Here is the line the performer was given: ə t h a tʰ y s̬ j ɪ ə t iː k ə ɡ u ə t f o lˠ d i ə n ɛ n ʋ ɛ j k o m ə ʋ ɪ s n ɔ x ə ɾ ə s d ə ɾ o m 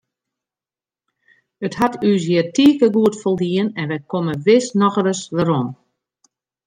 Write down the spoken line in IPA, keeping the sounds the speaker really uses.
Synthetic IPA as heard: ə t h a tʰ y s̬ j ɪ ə t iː k ə ɡ u ə t f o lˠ d i ə n ɛ n ʋ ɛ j k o m ə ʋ ɪ s n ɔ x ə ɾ ə s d ə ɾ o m